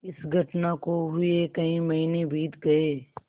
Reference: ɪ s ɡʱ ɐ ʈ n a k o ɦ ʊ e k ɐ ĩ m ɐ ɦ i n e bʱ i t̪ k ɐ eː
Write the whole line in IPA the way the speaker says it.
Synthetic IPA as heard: ɪ s ɡʱ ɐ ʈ n a k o ɦ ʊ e k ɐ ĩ m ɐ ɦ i n e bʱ iː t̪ ɡ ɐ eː